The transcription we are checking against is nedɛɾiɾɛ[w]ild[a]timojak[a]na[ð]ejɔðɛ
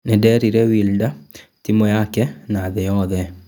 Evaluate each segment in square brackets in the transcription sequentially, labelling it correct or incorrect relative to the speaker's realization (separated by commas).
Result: correct, correct, incorrect, correct